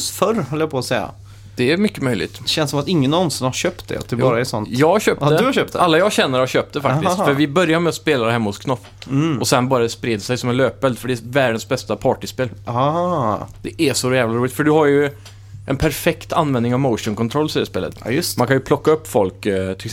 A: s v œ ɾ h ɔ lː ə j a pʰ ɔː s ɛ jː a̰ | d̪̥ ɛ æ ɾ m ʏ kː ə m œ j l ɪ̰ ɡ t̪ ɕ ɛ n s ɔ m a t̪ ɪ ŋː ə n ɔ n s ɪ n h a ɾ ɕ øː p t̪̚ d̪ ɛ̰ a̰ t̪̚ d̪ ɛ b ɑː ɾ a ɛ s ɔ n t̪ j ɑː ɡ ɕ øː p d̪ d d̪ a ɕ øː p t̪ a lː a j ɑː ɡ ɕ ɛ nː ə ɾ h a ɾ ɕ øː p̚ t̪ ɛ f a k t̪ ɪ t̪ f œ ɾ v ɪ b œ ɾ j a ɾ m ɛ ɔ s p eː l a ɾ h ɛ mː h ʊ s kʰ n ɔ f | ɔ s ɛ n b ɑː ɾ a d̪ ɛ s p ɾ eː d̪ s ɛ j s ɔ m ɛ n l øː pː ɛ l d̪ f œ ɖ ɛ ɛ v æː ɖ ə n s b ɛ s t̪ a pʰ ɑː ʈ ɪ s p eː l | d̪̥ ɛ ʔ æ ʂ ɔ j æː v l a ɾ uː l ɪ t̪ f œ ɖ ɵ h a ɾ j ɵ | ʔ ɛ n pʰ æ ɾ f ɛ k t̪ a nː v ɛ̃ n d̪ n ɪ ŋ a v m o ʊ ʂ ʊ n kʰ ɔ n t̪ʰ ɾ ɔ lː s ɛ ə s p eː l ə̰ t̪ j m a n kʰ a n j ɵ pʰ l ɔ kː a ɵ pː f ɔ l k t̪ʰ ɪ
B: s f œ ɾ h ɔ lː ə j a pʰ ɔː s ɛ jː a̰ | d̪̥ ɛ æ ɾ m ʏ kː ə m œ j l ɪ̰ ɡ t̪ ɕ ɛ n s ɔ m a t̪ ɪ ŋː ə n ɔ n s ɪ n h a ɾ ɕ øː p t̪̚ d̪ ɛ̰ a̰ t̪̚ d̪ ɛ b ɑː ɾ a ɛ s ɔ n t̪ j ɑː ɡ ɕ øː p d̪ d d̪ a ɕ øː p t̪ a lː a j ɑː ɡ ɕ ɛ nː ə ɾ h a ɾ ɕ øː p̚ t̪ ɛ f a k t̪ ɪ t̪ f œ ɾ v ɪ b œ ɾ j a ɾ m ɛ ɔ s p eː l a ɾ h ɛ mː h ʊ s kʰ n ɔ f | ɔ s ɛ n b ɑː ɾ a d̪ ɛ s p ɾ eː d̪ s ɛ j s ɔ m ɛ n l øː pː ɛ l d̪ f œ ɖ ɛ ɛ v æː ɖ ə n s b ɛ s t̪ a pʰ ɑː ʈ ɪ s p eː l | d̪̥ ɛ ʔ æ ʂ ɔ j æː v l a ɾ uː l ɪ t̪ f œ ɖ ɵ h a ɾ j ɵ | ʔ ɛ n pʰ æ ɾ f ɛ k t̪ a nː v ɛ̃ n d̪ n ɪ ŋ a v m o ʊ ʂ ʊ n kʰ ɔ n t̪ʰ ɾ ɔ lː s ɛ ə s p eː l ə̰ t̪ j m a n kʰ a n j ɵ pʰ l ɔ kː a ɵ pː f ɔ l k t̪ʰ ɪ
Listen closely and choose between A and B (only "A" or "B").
B